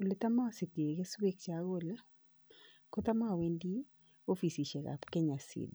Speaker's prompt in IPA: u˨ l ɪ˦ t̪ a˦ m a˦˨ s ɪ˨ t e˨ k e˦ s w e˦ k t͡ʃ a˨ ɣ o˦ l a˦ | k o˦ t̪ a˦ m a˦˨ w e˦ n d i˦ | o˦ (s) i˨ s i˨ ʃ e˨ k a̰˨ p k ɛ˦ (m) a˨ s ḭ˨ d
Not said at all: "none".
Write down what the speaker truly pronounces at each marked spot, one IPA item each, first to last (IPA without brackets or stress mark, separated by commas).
f, ɲ